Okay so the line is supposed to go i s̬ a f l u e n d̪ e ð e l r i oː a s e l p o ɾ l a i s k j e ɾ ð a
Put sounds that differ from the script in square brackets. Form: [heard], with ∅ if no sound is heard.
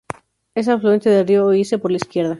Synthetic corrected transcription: [e] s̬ a f l u e n [t̪] e ð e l r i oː [i] s e [∅] p o ɾ l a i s k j e ɾ ð a